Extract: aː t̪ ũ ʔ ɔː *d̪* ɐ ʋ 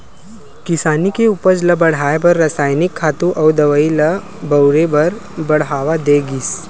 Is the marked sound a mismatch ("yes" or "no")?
no